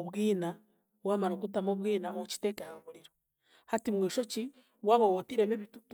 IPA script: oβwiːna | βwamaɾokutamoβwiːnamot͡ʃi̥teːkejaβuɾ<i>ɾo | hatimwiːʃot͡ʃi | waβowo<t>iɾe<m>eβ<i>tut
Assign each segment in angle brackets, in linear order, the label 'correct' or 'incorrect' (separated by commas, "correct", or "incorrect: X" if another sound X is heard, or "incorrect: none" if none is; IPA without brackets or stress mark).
correct, correct, correct, correct